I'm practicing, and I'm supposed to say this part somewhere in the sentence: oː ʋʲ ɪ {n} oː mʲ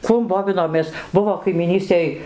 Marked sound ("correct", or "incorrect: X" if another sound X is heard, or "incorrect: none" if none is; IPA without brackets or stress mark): correct